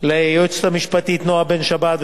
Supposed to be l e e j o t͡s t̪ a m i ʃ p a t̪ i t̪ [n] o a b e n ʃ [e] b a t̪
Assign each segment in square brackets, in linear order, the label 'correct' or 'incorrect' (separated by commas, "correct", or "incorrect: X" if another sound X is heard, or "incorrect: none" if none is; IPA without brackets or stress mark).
correct, incorrect: a